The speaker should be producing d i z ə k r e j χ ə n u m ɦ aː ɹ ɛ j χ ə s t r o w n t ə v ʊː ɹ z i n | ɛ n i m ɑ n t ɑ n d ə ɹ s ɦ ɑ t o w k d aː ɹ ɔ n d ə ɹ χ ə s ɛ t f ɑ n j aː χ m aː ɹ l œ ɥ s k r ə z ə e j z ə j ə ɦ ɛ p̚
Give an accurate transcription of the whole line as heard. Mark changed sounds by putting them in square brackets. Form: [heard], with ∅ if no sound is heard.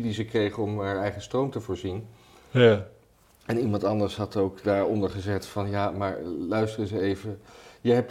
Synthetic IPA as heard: d i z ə k r e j χ ə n [ɔ] m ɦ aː ɹ ɛ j χ ə s t r o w [m] t ə v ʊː ɹ z i n | ɛ n i m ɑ n t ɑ n d ə ɹ s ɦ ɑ t o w k d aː ɹ ɔ n d ə ɹ χ ə [z] ɛ t f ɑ n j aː [∅] m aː ɹ l œ ɥ s [t] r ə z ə e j [v] ə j ə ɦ ɛ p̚